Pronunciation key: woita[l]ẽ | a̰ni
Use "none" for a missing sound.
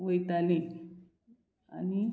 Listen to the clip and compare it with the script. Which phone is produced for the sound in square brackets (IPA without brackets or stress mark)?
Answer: l